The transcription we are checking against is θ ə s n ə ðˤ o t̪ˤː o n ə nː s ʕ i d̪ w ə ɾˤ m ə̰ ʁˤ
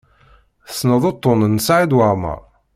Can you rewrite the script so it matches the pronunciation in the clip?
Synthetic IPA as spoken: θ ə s n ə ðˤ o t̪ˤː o n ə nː s ʕ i d̪ w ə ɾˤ m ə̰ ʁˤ